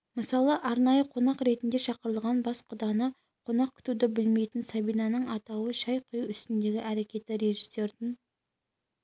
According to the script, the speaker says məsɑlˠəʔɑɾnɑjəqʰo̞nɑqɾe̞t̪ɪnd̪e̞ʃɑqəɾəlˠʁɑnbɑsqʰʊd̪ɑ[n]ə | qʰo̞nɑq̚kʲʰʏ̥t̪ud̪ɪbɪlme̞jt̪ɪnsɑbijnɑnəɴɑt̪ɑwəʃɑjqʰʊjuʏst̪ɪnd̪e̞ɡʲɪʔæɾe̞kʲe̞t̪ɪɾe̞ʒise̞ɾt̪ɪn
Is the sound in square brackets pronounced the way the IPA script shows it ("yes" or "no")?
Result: yes